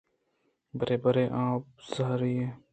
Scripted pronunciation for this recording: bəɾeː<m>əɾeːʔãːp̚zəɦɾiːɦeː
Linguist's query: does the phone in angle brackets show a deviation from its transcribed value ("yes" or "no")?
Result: yes